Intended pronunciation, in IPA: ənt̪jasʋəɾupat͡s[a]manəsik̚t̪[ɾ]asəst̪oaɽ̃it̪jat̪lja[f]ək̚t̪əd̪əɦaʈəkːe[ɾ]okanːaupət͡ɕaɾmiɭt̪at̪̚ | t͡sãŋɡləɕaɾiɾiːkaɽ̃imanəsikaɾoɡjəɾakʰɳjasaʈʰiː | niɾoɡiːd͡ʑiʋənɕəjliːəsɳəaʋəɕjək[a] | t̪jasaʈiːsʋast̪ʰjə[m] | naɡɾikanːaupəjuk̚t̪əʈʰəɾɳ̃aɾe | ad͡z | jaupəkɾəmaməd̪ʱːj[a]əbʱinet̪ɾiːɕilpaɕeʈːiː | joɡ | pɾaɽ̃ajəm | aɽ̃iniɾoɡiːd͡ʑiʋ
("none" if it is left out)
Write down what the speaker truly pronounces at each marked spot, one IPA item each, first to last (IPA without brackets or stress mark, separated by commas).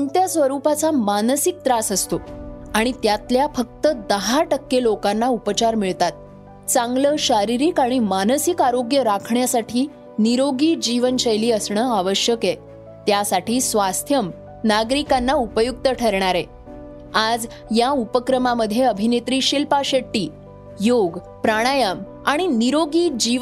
a, ɾ, f, l, e, m, e